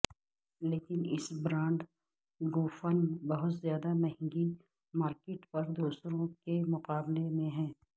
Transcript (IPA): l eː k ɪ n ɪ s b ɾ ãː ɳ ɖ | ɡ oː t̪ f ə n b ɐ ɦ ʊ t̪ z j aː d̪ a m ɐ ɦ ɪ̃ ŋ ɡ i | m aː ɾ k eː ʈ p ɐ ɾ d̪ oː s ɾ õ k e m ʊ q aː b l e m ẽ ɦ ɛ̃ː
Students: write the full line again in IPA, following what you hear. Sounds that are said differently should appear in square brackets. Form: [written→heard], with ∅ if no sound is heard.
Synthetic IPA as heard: l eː k ɪ n ɪ s b ɾ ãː ɳ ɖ | ɡ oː [t̪→∅] f ə n b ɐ ɦ ʊ t̪ z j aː d̪ a m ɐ ɦ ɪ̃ ŋ ɡ i | m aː ɾ k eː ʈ p ɐ ɾ d̪ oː s ɾ õ k e m ʊ q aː b l e m ẽ ɦ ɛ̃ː